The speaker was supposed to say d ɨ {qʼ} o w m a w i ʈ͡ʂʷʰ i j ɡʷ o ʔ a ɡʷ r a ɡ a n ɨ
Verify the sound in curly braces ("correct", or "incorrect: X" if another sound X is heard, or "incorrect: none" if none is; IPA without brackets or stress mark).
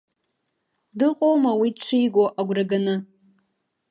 correct